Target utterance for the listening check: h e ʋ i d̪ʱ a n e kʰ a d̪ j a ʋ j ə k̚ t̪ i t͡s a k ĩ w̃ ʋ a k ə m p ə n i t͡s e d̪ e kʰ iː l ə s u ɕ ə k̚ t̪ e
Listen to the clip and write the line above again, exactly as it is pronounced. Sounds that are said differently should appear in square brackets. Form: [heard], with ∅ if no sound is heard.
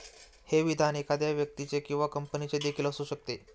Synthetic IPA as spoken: h e ʋ i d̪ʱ a n e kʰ a d̪ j a ʋ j ə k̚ t̪ i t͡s [e] k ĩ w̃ ʋ a k ə m p ə n i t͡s e d̪ e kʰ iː l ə s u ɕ ə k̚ t̪ e